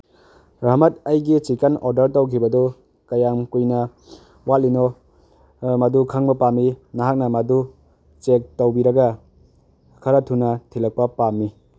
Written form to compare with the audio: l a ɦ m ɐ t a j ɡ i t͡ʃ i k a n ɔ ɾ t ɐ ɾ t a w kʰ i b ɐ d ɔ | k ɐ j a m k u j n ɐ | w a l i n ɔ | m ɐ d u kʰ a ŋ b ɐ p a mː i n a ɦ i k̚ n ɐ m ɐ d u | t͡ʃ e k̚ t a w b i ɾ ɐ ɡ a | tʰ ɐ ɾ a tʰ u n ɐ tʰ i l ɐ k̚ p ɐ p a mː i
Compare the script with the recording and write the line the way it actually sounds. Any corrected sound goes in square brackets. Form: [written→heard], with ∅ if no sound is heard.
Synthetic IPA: [l→ɾ] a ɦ m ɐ t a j ɡ i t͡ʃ i k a n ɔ ɾ [t→d] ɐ ɾ t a w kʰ i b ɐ d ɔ | k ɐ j a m k u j n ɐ | w a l i n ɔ | m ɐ d u kʰ a ŋ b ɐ p a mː i n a ɦ [i→a] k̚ n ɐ m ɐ d u | t͡ʃ e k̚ t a w b i ɾ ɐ ɡ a | [tʰ→kʰ] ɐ ɾ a tʰ u n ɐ tʰ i l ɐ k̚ p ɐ p a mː i